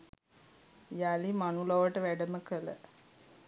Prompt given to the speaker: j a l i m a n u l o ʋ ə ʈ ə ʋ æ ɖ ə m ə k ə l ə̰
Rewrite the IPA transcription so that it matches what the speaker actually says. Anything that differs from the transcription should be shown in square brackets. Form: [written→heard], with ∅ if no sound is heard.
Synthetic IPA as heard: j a l i m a n u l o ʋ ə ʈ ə ʋ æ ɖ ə m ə k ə l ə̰